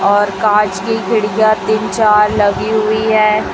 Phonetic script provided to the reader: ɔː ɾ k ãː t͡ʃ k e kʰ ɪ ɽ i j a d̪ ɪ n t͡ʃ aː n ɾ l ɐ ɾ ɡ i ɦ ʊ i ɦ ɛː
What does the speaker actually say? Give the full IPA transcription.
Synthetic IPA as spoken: ɔː ɾ k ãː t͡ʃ k i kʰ ɪ ɽ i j a t̪ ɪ n t͡ʃ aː ɾ l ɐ ɡ i ɦ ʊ i ɦ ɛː

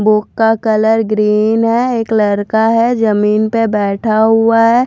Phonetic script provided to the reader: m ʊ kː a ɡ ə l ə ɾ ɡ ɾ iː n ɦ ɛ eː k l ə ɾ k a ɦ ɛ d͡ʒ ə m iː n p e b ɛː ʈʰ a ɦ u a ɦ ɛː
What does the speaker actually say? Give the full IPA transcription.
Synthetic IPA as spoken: b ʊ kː a k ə l ə ɾ ɡ ɾ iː n ɦ ɛ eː k l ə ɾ k a ɦ ɛ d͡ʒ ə m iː n p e b ɛː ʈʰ a ɦ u a ɦ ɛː

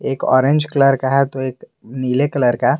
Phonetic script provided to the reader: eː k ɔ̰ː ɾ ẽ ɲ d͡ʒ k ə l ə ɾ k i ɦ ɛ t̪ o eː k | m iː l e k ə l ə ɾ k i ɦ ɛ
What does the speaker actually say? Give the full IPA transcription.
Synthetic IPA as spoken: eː k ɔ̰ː ɾ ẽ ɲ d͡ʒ k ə l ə ɾ k a ɦ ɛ t̪ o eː k | n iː l e k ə l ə ɾ k a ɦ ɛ

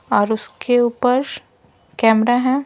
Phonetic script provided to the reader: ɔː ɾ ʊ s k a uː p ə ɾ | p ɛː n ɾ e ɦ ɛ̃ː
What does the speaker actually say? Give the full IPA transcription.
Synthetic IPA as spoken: ɔː ɾ ʊ s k e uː p ə ɾ | k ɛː m ɾ a ɦ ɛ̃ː

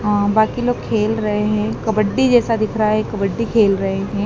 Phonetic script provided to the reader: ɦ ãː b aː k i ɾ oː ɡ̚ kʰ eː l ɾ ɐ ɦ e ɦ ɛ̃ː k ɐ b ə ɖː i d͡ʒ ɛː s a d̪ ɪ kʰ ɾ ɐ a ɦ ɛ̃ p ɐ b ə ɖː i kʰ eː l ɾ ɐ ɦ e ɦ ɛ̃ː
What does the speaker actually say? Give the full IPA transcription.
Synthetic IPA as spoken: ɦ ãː b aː k i l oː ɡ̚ kʰ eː l ɾ ɐ ɦ e ɦ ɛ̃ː k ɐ b ə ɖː i d͡ʒ ɛː s a d̪ ɪ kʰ ɾ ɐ a ɦ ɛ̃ k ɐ b ə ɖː i kʰ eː l ɾ ɐ ɦ e ɦ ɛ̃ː

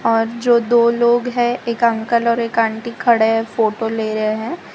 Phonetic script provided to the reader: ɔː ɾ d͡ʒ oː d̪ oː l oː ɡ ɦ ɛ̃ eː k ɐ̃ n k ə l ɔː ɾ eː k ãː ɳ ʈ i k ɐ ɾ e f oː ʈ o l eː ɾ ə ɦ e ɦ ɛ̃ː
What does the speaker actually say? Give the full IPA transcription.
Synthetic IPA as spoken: ɔː ɾ d͡ʒ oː d̪ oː l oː ɡ ɦ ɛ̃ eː k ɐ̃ ŋ k ə l ɔː ɾ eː k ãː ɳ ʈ i kʰ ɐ ɽ e f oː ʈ o l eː ɾ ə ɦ e ɦ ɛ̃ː

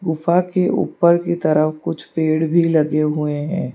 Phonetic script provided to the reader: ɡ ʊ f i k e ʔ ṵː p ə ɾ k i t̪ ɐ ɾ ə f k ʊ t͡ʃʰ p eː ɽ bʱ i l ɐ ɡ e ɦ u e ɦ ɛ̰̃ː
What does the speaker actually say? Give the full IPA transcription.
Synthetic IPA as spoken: ɡ ʊ f a k e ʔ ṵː p ə ɾ k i t̪ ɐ ɾ ə f k ʊ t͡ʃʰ p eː ɽ bʱ i l ɐ ɡ e ɦ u e ɦ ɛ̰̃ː

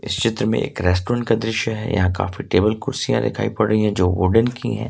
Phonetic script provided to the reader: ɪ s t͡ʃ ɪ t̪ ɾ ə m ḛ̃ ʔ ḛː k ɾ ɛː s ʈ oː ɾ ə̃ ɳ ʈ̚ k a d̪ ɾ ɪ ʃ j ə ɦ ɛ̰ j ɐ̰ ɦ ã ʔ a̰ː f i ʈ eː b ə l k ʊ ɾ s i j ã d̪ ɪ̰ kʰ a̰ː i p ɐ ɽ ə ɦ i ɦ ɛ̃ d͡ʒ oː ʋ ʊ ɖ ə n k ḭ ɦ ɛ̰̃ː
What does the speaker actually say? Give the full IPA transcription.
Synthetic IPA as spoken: ɪ s t͡ʃ ɪ t̪ ɾ ə m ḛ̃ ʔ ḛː k ɾ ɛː s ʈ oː ɾ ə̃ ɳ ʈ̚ k a d̪ ɾ ɪ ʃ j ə ɦ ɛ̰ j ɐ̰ ɦ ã k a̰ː f i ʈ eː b ə l k ʊ ɾ s i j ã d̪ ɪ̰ kʰ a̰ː i p ɐ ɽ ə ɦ i ɦ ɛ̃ d͡ʒ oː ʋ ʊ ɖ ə n k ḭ ɦ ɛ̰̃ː

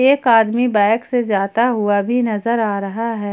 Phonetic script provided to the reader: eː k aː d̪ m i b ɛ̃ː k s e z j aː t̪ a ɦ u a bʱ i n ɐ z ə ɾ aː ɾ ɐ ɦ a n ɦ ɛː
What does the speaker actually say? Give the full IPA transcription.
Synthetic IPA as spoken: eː k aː d̪ m i b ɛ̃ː k s e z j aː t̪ a ɦ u a bʱ i n ɐ z ə ɾ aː ɾ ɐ ɦ a ɦ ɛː

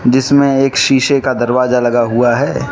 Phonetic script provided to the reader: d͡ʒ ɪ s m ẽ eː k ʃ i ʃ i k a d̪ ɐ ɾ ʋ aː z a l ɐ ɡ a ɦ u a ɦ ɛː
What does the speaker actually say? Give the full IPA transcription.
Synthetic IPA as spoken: d͡ʒ ɪ s m ẽ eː k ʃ iː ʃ e k a d̪ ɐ ɾ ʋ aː z a l ɐ ɡ a ɦ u a ɦ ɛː

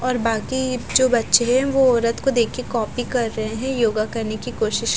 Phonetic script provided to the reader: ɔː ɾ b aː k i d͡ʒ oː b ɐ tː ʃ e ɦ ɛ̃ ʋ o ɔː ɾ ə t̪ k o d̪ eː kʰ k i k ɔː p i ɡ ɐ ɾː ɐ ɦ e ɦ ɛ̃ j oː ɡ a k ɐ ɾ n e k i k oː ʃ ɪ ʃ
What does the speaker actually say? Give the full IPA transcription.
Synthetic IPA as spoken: ɔː ɾ b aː k i d͡ʒ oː b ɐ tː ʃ e ɦ ɛ̃ ʋ o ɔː ɾ ə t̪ k o d̪ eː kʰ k e k ɔː p i k ɐ ɾː ɐ ɦ e ɦ ɛ̃ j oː ɡ a k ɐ ɾ n e k i k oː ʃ ɪ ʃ

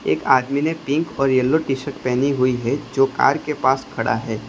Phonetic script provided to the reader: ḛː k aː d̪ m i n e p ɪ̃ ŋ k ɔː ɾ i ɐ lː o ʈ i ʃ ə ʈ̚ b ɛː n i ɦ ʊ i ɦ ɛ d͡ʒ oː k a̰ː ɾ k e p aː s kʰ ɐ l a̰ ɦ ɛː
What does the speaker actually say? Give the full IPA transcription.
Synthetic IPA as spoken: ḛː k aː d̪ m i n e p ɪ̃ ŋ k ɔː ɾ j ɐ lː o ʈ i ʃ ə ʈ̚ p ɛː n i ɦ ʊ i ɦ ɛ d͡ʒ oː k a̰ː ɾ k e p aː s kʰ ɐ ɽ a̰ ɦ ɛː

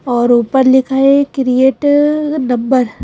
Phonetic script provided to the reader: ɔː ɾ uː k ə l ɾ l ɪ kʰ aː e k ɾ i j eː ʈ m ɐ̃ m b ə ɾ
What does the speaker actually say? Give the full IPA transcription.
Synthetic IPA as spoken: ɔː ɾ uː p ə ɾ l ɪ kʰ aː e k ɾ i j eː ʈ n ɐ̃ m b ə ɾ

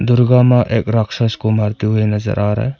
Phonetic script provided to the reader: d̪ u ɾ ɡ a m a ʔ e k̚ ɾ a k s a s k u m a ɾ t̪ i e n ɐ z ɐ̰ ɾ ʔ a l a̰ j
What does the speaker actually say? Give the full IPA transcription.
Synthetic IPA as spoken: d̪ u ɾ ɡ a m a ʔ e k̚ ɾ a k s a s k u m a ɾ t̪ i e n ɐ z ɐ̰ ɾ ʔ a ɾ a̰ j

